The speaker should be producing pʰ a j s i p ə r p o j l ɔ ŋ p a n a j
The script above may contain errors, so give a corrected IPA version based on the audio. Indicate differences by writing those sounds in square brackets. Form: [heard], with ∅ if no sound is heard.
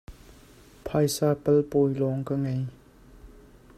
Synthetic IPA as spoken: pʰ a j s [a] p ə [l] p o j l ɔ ŋ [k] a [ŋ] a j